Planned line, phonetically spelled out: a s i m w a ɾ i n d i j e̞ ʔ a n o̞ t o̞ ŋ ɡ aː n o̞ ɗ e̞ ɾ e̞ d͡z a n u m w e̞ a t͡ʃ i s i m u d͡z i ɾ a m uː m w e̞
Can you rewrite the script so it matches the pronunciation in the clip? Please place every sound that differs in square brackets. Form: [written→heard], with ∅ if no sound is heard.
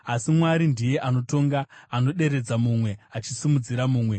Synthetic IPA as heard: a s i m w a ɾ i n d i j e̞ ʔ a n o̞ t o̞ ŋ ɡ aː n o̞ ɗ e̞ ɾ e̞ d͡z a [n→m] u m w e̞ a t͡ʃ i s i m u d͡z i ɾ a m uː m w e̞